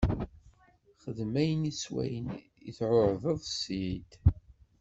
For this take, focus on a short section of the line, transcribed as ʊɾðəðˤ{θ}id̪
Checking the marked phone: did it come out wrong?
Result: yes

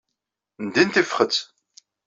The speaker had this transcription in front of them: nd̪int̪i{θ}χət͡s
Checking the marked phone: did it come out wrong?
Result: yes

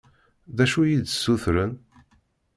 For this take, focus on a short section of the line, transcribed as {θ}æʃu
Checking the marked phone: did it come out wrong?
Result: yes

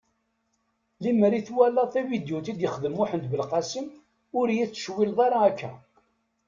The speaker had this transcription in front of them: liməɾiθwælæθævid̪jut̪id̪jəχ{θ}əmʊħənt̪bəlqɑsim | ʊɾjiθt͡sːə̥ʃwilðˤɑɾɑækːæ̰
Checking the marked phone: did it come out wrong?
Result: yes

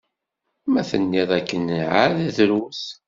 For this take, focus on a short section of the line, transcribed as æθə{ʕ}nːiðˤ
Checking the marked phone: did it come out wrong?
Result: yes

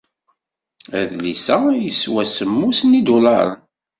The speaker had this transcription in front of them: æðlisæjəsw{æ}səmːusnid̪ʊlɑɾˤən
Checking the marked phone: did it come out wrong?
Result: no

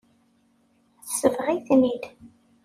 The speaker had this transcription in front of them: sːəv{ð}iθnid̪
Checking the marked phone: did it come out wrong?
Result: yes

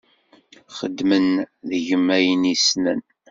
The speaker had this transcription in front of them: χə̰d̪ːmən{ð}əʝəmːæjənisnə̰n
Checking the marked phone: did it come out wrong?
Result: no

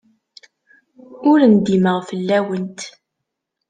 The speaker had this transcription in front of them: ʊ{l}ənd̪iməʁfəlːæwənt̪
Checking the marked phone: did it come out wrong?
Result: yes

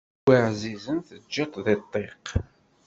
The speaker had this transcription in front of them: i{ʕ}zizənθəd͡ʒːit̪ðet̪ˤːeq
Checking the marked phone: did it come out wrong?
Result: no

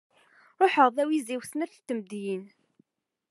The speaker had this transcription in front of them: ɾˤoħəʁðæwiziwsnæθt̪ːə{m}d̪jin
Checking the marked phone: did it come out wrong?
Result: no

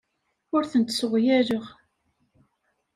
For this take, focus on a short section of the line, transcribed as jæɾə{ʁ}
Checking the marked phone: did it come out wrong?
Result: no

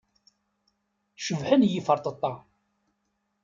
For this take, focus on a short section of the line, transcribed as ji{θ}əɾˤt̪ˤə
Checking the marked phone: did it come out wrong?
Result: yes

